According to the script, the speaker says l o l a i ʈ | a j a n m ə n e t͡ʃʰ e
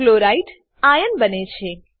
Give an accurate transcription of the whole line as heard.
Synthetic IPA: l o ɾ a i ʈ | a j ə n b ə n e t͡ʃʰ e